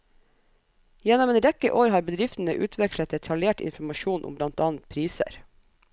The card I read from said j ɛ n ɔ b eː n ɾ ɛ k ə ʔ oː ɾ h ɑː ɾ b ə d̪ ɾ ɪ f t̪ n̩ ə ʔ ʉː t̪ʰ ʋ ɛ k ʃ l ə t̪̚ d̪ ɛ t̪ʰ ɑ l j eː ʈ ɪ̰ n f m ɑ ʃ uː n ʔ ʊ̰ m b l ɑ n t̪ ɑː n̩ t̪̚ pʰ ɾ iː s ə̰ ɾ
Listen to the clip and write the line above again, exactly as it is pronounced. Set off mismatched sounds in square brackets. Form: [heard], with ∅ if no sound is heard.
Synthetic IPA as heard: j ɛ n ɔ [m] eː n ɾ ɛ k ə ʔ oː ɾ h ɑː ɾ b ə d̪ ɾ ɪ f t̪ n̩ ə ʔ ʉː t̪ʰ ʋ ɛ k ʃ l ə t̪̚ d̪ ɛ t̪ʰ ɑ l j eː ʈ ɪ̰ n f m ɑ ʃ uː n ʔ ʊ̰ m b l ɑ n t̪ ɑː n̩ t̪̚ pʰ ɾ iː s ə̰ ɾ